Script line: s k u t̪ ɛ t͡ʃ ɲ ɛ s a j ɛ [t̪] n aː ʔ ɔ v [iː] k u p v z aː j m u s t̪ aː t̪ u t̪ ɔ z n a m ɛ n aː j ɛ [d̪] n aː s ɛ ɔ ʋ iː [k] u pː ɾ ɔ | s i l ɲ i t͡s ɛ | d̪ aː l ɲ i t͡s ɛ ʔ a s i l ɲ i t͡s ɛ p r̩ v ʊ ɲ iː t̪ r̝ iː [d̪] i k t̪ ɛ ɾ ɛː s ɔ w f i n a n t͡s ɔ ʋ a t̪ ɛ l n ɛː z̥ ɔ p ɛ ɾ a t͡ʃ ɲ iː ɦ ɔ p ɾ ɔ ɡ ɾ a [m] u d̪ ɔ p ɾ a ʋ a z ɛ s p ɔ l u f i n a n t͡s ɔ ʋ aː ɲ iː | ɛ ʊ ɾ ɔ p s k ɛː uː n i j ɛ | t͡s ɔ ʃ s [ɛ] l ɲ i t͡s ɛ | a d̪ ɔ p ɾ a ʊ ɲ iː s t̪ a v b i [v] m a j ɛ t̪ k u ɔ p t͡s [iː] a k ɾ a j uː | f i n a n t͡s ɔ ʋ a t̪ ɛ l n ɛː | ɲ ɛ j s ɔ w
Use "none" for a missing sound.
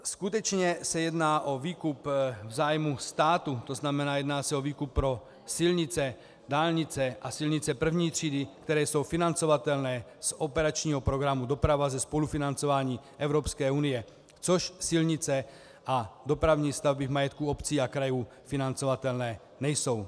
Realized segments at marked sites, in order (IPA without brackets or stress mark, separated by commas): d̪, iː, d̪, k, d̪, m, i, v, iː